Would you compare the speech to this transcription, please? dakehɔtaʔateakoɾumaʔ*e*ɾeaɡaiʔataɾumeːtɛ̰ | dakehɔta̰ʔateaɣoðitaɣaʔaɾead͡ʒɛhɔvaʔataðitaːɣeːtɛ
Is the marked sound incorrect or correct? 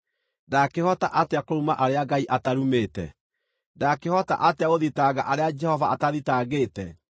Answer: incorrect